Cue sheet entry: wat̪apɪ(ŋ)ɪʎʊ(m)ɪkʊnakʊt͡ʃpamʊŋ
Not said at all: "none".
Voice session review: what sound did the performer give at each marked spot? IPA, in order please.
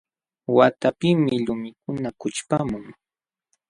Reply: m, m

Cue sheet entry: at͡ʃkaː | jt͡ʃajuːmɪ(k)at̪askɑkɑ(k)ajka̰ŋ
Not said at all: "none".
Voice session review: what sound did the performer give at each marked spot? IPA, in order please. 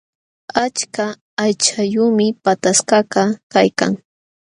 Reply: p, k

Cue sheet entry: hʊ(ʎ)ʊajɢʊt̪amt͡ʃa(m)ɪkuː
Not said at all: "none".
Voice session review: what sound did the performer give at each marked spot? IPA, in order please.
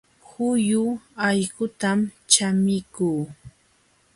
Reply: j, m

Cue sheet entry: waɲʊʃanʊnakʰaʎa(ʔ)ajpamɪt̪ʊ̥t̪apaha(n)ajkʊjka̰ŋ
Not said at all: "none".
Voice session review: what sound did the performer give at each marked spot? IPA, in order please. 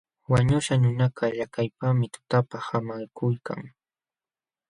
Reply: k, m

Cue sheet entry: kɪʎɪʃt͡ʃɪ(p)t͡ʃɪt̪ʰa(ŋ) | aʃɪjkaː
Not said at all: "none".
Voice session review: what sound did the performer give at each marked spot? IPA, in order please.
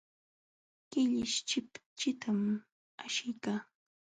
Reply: p, m

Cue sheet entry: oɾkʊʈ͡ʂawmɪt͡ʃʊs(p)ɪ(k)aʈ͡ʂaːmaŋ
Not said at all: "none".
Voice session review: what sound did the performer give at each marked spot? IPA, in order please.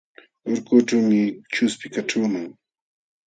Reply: p, k

